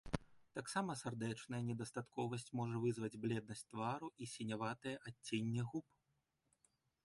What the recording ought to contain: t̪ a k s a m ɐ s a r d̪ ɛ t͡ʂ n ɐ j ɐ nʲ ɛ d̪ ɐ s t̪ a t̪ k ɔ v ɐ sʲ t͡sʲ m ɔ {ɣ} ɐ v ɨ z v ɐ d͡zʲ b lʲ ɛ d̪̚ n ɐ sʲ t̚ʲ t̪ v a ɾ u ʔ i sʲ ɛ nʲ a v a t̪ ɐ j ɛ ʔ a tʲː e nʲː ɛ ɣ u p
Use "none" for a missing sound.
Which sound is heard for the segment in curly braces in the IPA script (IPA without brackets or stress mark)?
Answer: ʐ